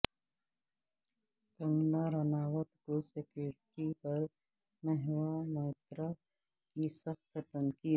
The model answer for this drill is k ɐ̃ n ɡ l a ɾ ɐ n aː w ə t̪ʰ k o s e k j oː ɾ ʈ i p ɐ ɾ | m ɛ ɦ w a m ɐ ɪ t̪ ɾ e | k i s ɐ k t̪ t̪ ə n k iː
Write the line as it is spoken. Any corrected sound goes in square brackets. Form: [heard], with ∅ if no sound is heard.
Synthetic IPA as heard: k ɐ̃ [ŋ] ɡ l a ɾ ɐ n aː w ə [t̪] k o s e k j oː ɾ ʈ i p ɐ ɾ | m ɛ ɦ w a m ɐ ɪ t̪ ɾ [a] | k i s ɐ [x] t̪ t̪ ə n k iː